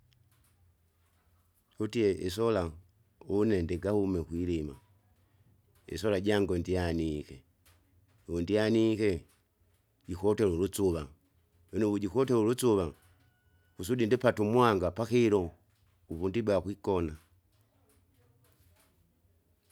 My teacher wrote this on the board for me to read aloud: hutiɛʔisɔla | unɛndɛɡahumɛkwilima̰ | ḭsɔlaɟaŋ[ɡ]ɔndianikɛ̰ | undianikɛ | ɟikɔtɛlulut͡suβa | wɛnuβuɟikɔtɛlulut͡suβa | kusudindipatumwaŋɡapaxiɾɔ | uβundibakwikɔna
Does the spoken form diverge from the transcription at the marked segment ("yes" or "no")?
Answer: no